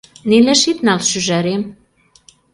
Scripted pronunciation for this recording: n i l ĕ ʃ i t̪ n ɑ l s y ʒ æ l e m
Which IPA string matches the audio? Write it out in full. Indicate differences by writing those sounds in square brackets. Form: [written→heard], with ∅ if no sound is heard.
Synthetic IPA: n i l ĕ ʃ i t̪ n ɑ l [s→ʃ] y ʒ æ [l→ɾ] e m